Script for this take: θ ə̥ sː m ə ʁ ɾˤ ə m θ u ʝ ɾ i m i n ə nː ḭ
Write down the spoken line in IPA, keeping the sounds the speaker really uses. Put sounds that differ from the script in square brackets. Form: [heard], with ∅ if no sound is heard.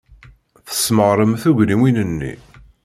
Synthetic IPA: θ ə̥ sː m ə ʁ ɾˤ ə m θ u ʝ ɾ i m i n ə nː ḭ